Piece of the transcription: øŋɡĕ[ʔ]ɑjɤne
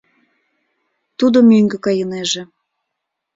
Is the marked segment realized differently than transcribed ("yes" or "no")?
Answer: yes